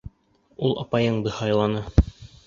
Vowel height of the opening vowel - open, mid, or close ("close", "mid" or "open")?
close